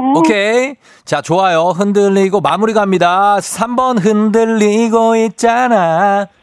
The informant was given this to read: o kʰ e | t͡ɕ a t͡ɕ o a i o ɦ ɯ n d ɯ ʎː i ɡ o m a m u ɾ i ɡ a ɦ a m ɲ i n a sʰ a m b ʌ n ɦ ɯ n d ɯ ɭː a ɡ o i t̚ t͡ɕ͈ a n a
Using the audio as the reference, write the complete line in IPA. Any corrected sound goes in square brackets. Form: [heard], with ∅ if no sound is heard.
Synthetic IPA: o kʰ e | t͡ɕ a t͡ɕ o a [j] o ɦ ɯ n d ɯ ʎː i ɡ o m a m u ɾ i ɡ a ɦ a m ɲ i [d] a sʰ a m b ʌ n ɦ ɯ n d ɯ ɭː [i] ɡ o i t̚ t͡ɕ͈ a n a